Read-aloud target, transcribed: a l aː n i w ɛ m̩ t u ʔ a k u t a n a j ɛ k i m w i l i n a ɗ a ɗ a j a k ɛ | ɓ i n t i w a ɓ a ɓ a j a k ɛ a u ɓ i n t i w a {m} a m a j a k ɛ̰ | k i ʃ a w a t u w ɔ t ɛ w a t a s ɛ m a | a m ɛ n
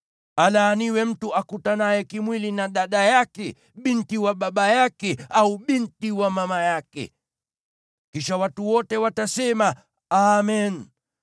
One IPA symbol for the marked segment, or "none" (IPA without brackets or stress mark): m